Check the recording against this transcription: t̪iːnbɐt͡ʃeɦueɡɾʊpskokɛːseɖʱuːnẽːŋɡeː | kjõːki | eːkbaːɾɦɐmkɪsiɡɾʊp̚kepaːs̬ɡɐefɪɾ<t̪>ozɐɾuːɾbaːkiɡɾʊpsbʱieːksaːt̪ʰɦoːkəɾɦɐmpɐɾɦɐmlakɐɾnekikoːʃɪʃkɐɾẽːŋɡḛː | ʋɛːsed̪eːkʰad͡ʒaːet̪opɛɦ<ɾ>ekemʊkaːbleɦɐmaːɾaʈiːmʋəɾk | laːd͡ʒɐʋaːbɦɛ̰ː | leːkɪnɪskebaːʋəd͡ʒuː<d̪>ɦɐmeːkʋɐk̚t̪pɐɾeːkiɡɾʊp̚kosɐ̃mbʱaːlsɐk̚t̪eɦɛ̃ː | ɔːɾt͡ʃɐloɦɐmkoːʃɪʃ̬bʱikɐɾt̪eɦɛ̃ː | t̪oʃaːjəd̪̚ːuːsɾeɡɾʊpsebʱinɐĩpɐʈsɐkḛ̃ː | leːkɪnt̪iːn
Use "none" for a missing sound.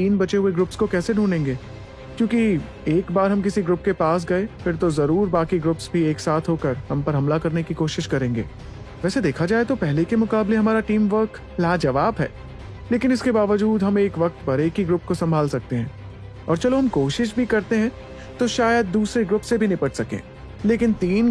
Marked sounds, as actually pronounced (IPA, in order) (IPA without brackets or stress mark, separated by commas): t̪, l, d̪